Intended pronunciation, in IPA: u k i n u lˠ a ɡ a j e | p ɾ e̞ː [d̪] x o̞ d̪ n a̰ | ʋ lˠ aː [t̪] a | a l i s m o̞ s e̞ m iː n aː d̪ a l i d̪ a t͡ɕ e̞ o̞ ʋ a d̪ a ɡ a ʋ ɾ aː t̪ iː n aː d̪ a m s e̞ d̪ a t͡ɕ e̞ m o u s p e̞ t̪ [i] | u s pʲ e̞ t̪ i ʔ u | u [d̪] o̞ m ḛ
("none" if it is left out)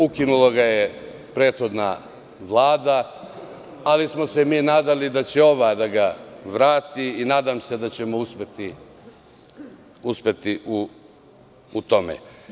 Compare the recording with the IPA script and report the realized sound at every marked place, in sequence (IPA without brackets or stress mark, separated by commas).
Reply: t̪, d̪, i, t̪